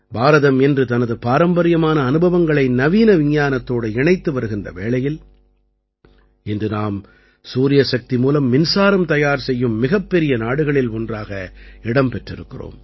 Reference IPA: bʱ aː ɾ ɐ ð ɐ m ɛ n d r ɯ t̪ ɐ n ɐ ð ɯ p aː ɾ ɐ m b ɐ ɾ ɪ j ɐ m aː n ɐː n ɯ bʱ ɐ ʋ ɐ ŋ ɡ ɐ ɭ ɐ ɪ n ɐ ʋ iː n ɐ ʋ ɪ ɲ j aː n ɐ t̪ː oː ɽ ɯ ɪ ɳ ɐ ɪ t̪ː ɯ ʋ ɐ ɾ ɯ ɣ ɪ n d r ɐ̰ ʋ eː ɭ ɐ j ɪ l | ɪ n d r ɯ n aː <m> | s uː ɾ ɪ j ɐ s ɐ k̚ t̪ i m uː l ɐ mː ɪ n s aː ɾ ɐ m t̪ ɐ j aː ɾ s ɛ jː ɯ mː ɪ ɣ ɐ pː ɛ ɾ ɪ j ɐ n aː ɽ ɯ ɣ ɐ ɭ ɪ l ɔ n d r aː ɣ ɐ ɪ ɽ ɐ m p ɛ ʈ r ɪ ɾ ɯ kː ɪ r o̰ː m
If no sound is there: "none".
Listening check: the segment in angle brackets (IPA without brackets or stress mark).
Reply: m